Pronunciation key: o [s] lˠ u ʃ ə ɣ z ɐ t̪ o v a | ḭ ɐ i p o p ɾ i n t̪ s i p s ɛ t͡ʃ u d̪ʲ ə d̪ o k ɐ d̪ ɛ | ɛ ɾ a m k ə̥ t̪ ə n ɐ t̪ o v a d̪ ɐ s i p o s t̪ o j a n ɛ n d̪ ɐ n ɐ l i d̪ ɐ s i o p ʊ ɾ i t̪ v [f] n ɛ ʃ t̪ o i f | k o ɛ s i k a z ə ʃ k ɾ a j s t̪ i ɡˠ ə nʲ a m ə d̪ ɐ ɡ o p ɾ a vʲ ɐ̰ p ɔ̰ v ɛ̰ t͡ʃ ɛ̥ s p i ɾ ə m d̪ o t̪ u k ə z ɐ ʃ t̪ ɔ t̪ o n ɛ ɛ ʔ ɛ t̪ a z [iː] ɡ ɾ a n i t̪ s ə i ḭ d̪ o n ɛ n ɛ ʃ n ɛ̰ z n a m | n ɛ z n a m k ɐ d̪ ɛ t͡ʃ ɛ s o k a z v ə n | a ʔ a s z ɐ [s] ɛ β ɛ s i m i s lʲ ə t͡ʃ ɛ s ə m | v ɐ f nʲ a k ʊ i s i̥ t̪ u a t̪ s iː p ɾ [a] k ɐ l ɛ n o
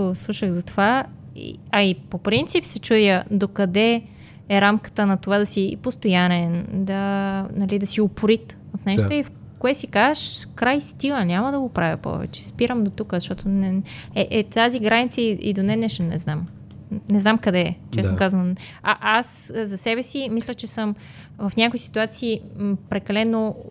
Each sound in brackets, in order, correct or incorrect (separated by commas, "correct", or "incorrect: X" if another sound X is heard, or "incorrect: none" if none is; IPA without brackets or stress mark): correct, correct, incorrect: i, correct, incorrect: ɛ